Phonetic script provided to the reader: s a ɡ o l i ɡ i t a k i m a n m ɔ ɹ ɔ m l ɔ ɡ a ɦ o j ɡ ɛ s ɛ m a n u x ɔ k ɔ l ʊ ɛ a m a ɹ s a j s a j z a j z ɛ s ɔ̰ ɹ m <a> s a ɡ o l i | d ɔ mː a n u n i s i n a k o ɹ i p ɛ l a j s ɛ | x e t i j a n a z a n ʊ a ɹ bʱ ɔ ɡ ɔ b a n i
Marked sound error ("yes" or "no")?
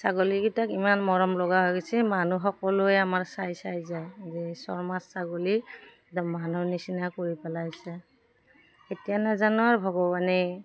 no